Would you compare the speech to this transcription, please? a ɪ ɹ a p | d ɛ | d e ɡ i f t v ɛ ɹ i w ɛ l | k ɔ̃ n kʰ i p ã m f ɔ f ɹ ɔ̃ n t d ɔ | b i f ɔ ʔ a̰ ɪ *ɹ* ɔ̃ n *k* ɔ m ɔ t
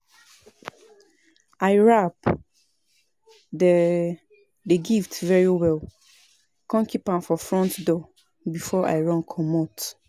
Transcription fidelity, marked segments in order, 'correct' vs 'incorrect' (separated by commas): correct, incorrect